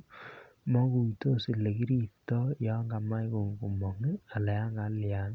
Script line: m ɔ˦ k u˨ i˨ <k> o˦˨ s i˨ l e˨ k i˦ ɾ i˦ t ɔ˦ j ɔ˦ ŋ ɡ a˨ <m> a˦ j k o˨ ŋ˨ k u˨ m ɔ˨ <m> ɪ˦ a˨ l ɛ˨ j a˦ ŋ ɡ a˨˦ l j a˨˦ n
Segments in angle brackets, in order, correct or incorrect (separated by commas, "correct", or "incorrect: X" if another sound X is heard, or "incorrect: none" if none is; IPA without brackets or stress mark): incorrect: t, correct, incorrect: ŋ